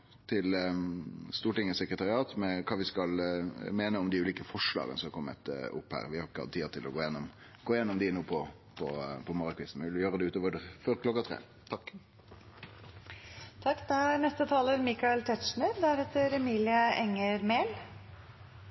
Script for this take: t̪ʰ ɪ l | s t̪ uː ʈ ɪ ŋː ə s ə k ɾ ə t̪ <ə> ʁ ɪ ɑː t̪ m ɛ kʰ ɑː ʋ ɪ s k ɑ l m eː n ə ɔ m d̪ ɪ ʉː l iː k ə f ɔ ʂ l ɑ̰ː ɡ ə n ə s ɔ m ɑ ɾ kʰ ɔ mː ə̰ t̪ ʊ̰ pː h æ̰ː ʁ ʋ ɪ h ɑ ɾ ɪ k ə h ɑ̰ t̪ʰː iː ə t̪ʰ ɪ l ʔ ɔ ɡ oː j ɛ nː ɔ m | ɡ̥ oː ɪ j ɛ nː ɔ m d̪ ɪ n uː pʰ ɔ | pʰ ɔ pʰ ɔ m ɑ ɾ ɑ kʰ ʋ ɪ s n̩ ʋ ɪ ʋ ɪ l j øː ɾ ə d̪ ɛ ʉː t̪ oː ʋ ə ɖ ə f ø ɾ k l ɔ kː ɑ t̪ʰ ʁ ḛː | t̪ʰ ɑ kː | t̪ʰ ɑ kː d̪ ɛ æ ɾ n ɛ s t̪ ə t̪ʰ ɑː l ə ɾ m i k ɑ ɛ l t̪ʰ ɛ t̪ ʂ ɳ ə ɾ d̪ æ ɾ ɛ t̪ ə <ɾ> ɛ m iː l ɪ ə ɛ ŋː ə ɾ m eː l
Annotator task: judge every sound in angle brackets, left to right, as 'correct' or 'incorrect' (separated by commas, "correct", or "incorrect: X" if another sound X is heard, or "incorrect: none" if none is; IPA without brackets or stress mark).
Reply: incorrect: ɑ, correct